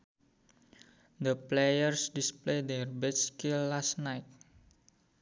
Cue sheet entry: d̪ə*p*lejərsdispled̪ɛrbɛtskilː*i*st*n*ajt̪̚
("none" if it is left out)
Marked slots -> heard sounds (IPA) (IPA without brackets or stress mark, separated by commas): p, a, n